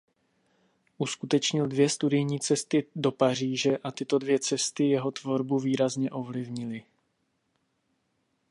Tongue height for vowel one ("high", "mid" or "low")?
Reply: high